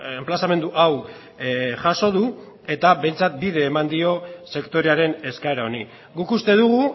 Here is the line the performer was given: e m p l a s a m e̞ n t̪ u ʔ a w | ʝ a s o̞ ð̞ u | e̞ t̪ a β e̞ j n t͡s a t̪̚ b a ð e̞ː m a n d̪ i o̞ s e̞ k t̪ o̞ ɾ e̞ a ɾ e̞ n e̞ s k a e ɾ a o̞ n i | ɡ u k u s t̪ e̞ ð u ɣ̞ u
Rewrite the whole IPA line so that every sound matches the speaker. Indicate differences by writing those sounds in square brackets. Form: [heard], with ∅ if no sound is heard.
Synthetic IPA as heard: e m p l a s a m e̞ n [d̪] u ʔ a w | ʝ a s o̞ ð̞ u | e̞ t̪ a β e̞ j n t͡s a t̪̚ b [i] ð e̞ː m a n d̪ i o̞ s e̞ k t̪ o̞ ɾ e̞ a ɾ e̞ n e̞ s k a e ɾ a o̞ n i | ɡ u k u s t̪ e̞ ð u ɣ̞ u